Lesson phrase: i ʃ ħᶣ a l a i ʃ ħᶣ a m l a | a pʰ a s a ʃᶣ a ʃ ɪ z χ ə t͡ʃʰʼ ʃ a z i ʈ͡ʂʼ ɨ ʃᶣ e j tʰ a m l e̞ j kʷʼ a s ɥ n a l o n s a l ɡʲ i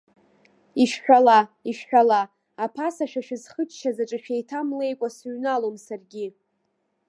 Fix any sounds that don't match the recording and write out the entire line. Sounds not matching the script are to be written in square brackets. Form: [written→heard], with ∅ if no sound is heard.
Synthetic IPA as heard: i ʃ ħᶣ a l a i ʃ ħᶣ a [m→∅] l a | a pʰ a s a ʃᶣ a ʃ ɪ z χ ə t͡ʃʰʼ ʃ a z [i→a] ʈ͡ʂʼ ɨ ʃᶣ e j tʰ a m l e̞ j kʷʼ a s ɥ n a l o [n→m] s a [l→r] ɡʲ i